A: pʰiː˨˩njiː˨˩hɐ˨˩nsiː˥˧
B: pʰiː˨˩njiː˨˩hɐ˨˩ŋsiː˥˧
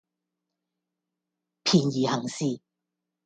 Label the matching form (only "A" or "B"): B